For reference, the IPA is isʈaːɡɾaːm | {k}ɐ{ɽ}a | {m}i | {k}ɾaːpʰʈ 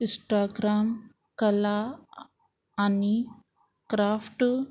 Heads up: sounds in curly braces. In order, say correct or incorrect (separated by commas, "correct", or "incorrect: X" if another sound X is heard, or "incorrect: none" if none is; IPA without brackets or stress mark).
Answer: correct, incorrect: l, incorrect: n, correct